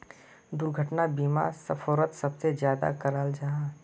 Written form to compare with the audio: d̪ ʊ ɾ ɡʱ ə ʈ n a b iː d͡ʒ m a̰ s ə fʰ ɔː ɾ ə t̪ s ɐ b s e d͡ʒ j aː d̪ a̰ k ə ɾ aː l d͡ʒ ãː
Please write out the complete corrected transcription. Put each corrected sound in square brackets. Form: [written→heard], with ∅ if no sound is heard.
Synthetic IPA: d̪ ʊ ɾ ɡʱ ə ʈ n a b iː [d͡ʒ→∅] m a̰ s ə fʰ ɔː ɾ ə t̪ s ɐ b s e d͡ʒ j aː d̪ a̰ k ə ɾ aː l d͡ʒ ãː